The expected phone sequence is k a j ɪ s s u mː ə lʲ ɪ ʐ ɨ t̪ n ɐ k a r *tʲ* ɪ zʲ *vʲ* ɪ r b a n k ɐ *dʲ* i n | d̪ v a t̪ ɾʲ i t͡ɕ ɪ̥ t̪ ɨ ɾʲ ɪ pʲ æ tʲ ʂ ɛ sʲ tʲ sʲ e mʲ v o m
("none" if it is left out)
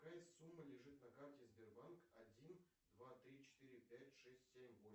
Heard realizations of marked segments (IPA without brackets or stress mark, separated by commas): tʲ, bʲ, dʲ